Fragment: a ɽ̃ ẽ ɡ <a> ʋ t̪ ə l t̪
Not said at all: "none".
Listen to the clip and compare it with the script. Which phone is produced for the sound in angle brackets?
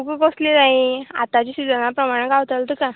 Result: a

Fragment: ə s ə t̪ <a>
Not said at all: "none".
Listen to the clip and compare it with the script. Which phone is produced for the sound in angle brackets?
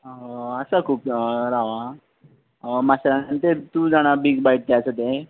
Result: e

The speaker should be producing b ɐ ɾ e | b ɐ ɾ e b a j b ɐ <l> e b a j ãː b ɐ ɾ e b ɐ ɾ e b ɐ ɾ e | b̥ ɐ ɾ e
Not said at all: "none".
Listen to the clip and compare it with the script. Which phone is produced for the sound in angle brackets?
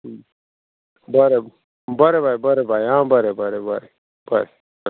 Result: ɾ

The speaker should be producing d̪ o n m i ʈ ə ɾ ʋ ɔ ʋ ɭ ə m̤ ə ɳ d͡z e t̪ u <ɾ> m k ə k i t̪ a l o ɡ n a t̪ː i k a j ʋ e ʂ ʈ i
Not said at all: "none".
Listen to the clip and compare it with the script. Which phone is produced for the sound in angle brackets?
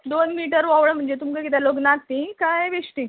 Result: none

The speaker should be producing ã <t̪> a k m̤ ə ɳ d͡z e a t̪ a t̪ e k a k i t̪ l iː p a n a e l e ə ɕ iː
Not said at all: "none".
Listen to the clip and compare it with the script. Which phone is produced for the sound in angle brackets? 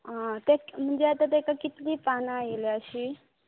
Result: t̪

